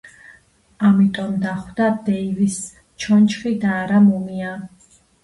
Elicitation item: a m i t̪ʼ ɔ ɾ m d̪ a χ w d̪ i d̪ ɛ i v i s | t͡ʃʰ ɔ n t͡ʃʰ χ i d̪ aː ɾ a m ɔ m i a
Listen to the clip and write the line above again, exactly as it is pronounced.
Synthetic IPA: a m i t̪ʼ ɔ m d̪ a χ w d̪ a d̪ ɛ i v i s | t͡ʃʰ ɔ n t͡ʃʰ χ i d̪ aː ɾ a m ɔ m i a